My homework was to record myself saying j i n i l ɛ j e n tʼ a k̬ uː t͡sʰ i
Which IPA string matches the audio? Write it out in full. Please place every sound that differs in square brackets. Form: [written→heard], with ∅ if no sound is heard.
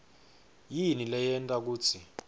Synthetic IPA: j i n i l ɛ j [e→ɛ] n tʼ a k̬ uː t͡sʰ i